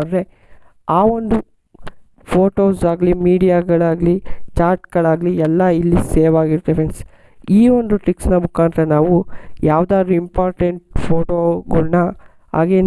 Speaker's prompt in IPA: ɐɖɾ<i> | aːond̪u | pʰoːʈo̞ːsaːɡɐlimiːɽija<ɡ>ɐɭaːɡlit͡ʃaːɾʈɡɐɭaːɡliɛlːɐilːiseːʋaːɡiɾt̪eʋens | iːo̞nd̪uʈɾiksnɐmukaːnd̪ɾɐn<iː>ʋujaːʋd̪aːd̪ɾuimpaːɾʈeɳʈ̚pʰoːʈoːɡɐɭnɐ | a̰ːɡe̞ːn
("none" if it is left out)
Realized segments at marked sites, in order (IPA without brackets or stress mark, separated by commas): e, ɡ, aː